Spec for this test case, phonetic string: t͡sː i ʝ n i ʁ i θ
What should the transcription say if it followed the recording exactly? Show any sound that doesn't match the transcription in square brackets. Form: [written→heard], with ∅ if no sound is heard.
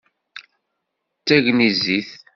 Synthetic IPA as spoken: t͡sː [i→æ] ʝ n i [ʁ→z] i θ